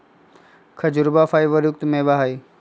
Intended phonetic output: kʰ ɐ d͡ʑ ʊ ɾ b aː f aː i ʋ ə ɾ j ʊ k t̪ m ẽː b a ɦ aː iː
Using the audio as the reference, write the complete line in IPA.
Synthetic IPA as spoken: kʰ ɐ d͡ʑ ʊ ɾ b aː f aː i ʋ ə ɾ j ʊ k t̪ m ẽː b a ɦ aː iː